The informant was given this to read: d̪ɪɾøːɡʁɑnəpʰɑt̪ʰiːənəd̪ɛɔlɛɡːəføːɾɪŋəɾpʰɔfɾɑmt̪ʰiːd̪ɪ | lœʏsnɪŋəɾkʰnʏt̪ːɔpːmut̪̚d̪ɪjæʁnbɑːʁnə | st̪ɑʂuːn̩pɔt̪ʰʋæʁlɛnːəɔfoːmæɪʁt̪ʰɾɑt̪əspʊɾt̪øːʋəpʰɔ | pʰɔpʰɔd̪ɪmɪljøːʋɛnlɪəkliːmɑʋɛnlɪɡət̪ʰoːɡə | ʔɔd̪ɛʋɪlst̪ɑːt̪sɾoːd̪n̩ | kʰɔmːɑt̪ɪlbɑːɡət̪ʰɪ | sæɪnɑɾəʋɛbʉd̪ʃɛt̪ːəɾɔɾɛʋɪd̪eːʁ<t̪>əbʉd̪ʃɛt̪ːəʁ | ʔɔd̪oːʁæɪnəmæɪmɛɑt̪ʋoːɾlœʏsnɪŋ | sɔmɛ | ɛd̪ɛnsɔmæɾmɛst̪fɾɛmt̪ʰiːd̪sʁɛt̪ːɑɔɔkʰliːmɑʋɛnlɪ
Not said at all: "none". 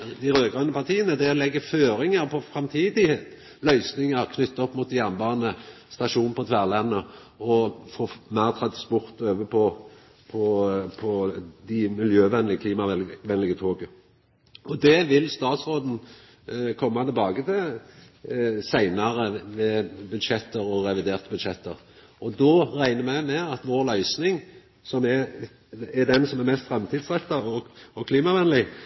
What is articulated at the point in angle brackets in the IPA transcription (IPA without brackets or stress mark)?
t̪